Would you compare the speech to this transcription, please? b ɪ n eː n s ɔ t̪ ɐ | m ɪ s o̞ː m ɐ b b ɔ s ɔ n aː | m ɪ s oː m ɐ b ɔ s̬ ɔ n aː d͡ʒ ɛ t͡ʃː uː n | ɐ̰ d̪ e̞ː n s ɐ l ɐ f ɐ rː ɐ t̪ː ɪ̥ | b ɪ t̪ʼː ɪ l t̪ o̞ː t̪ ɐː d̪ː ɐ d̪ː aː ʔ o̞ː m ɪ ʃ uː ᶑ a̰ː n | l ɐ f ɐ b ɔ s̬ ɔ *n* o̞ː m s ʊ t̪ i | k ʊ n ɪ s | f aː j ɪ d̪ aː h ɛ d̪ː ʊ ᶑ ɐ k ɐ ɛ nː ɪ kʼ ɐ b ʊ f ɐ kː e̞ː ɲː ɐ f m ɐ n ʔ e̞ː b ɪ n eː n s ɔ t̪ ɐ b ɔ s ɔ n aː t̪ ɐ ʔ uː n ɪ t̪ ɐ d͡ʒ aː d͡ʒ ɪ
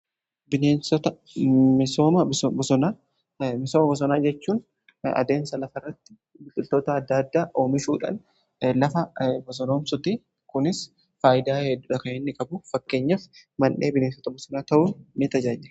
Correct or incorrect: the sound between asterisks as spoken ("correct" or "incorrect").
correct